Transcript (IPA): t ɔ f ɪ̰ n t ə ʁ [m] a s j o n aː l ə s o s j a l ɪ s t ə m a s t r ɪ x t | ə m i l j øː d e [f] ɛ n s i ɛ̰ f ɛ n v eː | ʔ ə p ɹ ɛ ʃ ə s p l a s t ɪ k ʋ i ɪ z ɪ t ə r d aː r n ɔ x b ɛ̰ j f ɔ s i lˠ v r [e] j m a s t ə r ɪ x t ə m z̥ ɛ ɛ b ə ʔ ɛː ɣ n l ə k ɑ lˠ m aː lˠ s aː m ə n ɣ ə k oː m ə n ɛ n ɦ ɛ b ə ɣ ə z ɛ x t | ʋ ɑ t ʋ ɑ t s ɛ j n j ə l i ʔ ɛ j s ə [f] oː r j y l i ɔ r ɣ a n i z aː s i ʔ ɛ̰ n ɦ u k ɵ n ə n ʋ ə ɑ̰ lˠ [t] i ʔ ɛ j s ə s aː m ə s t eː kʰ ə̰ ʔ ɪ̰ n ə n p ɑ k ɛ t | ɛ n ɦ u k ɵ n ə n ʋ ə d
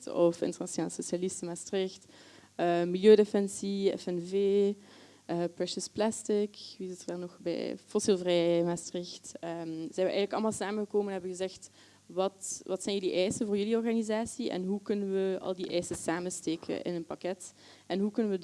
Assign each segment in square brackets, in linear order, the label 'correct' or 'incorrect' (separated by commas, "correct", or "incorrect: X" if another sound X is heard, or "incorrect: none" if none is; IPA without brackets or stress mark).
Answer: incorrect: n, correct, incorrect: ɛ, incorrect: v, incorrect: d